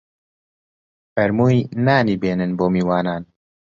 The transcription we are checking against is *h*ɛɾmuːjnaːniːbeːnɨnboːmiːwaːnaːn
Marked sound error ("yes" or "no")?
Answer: yes